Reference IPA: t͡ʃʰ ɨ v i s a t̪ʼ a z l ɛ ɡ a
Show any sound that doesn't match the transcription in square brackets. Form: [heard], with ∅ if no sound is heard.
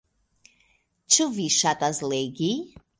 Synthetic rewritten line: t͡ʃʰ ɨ v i [ʃ] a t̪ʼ a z l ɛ ɡ [i]